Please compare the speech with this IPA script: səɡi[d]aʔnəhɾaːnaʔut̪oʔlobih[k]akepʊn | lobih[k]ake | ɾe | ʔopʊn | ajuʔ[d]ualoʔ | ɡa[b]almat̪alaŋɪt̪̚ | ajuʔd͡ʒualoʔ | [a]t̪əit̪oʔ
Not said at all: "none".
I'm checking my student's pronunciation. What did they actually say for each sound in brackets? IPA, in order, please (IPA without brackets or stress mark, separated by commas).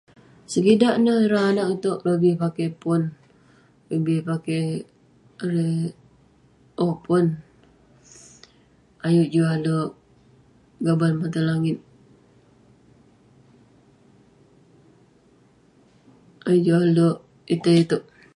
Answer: d, p, p, d͡ʒ, b, i